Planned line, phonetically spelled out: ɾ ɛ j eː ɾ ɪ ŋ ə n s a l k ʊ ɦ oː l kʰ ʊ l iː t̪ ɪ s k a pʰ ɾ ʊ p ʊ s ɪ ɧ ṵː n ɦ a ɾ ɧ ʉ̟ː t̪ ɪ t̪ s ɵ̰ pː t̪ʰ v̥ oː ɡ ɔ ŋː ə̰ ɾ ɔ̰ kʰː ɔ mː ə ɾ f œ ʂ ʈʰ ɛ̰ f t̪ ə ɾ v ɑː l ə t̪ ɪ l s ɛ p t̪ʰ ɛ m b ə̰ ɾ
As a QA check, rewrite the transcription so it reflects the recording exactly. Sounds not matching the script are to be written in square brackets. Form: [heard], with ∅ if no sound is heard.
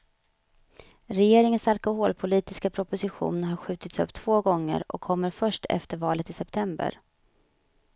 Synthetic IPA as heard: ɾ ɛ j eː ɾ ɪ ŋ ə n s a l k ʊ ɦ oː l [pʰ] ʊ l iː t̪ ɪ s k a pʰ ɾ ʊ p ʊ s ɪ ɧ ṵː n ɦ a ɾ ɧ ʉ̟ː t̪ ɪ t̪ s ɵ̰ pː t̪ʰ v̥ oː ɡ ɔ ŋː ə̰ ɾ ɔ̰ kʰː ɔ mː ə ɾ f œ ʂ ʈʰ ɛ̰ f t̪ ə ɾ v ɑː l ə t̪ ɪ [∅] s ɛ p t̪ʰ ɛ m b ə̰ ɾ